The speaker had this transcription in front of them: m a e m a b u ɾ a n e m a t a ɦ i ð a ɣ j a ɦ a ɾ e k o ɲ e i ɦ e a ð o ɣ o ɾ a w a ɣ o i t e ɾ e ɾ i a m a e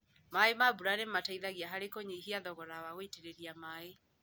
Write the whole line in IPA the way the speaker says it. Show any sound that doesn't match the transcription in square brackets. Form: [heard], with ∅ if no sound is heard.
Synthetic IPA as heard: m a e m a b u ɾ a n e m a t a [∅] i ð a ɣ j a ɦ a ɾ e k o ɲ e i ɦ [i] a ð [ɔ] ɣ [ɔ] ɾ a w a ɣ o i t e ɾ e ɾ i a m a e